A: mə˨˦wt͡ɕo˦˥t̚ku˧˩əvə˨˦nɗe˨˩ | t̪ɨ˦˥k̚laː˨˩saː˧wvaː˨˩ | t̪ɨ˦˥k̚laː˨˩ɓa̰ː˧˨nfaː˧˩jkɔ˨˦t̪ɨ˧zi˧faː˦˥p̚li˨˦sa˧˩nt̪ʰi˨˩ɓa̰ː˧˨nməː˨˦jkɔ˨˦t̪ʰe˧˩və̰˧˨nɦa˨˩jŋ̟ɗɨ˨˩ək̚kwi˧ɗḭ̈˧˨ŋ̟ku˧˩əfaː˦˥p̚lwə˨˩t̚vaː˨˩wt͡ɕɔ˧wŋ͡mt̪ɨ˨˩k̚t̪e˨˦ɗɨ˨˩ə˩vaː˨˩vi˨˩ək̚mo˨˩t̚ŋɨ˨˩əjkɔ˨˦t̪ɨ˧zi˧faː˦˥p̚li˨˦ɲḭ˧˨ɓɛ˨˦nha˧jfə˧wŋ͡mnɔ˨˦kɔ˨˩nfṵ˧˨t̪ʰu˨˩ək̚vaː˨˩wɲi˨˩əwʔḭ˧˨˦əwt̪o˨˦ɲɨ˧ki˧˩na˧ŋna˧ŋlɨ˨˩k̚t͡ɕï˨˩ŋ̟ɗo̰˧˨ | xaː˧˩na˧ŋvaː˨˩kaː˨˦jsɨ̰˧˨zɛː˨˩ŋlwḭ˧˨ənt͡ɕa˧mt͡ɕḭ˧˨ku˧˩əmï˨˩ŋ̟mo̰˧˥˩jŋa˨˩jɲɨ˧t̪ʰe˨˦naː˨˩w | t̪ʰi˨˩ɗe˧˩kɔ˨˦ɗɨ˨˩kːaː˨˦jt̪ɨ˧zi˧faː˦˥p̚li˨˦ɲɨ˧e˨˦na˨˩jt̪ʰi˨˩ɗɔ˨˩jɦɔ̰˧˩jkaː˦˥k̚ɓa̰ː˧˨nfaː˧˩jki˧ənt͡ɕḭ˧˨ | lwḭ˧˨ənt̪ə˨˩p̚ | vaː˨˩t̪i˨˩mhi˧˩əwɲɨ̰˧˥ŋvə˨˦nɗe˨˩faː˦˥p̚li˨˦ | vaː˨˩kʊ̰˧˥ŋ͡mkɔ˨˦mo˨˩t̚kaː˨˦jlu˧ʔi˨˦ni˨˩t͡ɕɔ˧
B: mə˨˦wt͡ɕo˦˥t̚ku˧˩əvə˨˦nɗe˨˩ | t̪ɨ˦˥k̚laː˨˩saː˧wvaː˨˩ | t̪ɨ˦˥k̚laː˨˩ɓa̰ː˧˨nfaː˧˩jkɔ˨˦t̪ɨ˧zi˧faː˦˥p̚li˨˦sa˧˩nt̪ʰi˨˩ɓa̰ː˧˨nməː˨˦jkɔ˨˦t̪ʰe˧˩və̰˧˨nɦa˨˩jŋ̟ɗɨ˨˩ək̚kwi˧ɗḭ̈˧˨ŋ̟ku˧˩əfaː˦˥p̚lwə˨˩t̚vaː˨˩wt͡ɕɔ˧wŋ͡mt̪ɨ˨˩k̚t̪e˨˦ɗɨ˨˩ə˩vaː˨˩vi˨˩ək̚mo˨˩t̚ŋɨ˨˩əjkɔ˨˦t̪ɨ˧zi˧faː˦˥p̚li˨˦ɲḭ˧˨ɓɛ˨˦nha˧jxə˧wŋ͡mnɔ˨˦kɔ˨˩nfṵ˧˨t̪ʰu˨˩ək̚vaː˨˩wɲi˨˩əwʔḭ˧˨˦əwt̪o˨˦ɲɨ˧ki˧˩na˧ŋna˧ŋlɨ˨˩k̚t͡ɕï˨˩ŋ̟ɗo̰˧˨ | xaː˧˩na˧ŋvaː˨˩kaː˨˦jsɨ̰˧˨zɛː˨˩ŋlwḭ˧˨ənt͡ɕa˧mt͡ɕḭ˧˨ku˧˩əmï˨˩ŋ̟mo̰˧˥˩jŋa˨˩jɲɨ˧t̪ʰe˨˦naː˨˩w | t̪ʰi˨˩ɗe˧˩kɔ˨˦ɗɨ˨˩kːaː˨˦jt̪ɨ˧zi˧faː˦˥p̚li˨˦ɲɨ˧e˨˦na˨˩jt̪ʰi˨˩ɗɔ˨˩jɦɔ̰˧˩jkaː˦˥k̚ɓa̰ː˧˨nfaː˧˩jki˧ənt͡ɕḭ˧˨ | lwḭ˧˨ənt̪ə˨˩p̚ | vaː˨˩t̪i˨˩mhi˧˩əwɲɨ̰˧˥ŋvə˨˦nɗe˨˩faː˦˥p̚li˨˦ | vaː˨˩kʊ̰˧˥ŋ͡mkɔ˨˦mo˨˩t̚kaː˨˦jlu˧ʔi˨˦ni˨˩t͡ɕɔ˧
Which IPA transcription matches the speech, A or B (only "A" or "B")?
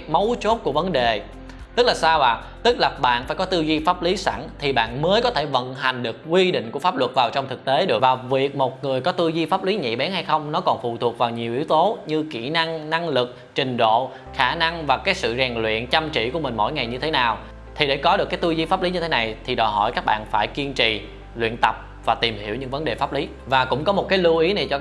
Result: B